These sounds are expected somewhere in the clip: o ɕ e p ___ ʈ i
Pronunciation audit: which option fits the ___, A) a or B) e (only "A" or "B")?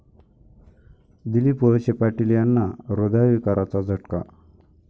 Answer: A